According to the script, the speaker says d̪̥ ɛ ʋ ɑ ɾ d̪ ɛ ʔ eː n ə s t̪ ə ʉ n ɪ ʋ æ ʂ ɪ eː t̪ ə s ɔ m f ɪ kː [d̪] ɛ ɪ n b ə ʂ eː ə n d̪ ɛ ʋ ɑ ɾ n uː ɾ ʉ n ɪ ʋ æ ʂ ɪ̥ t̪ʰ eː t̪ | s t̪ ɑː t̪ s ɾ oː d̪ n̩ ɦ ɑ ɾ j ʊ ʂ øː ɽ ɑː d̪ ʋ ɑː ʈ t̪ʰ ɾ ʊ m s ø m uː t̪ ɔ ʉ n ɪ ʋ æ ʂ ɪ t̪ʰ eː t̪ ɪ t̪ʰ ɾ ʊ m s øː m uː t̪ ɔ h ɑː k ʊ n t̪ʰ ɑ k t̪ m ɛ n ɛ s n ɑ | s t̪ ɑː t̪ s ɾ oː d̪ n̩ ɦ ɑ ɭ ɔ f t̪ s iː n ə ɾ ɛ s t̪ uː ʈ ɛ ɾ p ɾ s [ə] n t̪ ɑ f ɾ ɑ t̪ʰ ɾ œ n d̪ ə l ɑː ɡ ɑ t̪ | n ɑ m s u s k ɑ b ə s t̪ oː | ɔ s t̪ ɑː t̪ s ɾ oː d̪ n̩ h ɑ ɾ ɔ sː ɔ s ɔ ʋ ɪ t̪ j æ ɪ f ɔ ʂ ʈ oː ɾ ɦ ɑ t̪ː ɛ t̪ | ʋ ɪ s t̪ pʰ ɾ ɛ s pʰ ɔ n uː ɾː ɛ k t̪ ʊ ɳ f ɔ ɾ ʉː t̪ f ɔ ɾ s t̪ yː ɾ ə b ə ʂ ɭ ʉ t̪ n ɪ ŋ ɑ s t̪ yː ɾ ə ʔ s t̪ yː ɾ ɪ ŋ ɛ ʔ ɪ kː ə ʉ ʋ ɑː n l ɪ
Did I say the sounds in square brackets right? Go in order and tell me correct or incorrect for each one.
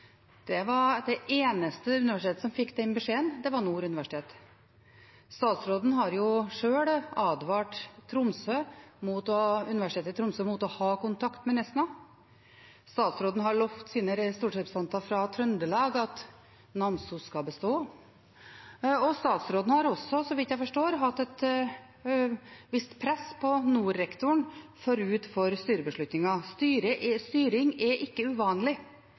correct, incorrect: ɑ

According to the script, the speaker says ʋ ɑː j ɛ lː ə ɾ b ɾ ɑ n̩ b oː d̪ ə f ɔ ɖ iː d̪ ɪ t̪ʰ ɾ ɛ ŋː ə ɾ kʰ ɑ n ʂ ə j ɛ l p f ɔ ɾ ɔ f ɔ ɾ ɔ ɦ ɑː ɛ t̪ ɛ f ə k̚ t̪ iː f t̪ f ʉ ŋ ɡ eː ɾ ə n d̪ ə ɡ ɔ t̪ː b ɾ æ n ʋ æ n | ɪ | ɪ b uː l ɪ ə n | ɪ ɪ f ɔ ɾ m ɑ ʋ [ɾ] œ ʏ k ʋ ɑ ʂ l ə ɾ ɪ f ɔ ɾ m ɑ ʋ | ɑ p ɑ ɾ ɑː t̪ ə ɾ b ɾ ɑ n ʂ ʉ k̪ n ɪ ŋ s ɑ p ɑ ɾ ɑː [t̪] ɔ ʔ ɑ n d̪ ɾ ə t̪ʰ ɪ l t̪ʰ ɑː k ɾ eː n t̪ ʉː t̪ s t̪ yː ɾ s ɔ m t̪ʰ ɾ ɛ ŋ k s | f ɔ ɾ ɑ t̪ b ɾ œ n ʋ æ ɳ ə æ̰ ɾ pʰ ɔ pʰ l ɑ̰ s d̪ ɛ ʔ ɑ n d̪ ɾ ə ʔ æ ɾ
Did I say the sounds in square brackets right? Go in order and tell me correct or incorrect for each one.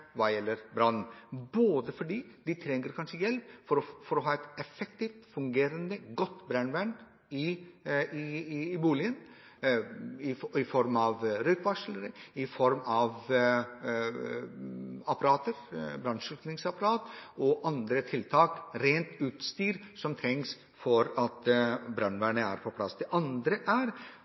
correct, correct

